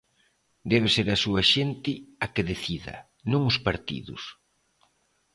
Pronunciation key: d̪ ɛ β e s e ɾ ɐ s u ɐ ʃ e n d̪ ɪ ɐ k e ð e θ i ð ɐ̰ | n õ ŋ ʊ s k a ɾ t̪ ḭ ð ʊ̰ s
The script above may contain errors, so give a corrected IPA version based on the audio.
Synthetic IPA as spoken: d̪ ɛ β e s e ɾ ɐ s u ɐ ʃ e n t̪ ɪ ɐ k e ð e θ i ð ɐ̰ | n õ ŋ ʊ s p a ɾ t̪ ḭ ð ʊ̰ s